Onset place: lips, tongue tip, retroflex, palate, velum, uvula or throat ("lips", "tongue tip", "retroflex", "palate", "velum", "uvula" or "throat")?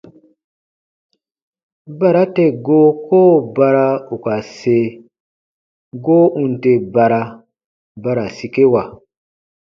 lips